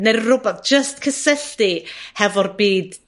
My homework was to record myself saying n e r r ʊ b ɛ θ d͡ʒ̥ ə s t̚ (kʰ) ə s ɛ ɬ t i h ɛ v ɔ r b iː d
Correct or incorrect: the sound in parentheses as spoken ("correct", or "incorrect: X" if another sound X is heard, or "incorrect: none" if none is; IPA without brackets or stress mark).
correct